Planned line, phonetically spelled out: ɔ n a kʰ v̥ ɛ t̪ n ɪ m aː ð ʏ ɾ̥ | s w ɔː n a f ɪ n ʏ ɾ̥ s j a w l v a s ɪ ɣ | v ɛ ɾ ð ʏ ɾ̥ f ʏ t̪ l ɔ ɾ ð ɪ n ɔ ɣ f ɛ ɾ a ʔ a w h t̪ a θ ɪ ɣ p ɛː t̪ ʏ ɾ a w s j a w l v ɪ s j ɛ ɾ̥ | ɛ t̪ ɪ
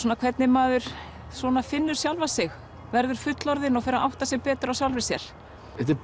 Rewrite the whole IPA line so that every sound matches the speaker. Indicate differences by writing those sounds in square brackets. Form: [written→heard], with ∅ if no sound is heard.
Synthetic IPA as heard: ɔ n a kʰ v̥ ɛ t̪ n ɪ m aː ð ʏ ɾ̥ | s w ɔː n a f ɪ [n→nː] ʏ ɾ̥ s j a w l v a s ɪ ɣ | v ɛ ɾ ð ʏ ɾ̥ f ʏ t̪ l ɔ ɾ ð ɪ n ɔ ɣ f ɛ ɾ a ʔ a w h t̪ a [θ→s] ɪ ɣ p ɛː t̪ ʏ ɾ a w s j a w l v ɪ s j ɛ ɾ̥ | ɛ t̪ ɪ